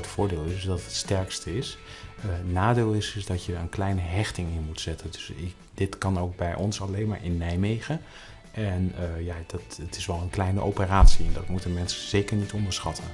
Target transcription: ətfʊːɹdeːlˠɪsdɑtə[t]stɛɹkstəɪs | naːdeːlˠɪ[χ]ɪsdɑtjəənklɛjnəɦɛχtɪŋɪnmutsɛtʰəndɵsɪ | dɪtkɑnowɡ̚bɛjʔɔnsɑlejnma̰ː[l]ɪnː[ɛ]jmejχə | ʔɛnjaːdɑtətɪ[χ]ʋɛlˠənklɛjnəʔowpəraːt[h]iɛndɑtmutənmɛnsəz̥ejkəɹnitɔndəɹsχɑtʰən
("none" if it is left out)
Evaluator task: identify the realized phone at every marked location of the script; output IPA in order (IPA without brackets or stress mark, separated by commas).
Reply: t, s, ɹ, ɛ, s, s